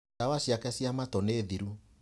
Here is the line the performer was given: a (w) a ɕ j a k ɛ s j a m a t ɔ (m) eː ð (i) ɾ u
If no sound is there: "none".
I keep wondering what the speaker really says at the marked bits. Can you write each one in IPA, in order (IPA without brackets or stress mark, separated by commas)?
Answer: w, n, i